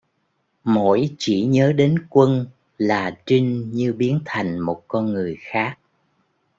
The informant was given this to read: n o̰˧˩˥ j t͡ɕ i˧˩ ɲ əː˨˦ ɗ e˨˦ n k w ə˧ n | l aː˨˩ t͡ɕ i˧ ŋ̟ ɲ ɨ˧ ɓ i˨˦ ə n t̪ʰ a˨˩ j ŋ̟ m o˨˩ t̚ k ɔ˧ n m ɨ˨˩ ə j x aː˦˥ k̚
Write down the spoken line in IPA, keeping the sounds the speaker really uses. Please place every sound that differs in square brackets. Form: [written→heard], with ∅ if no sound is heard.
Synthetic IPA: [n→m] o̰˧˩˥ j t͡ɕ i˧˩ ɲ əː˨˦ ɗ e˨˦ n k w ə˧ n | l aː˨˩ t͡ɕ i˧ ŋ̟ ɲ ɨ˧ ɓ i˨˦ ə n t̪ʰ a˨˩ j ŋ̟ m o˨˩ t̚ k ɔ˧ n [m→ŋ] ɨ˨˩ ə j x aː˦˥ k̚